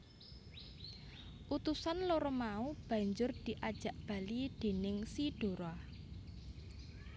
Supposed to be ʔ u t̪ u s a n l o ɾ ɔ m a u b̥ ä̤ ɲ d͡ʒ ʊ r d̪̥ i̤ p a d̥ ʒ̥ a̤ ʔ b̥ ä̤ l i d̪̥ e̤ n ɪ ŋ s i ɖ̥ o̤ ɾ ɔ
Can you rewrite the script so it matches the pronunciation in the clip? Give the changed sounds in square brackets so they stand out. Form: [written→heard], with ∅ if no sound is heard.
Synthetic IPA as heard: ʔ u t̪ u s a n l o ɾ ɔ m a u b̥ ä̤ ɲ d͡ʒ ʊ r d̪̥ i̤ [p→ʔ] a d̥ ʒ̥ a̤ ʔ b̥ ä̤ l i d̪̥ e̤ n ɪ ŋ s i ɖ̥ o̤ ɾ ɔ